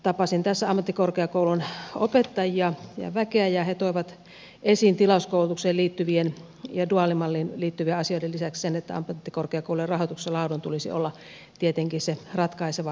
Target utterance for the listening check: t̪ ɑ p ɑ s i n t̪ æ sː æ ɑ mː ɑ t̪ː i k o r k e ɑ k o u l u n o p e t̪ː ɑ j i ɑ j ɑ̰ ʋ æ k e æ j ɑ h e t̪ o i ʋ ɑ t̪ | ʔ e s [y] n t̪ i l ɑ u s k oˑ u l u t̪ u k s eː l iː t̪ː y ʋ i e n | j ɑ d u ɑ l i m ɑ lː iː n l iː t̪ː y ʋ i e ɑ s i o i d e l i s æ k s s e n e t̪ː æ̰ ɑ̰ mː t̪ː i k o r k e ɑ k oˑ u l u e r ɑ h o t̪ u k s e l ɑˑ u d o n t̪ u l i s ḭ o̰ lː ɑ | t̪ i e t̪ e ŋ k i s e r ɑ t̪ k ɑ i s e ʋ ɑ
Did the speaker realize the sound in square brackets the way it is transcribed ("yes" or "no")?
no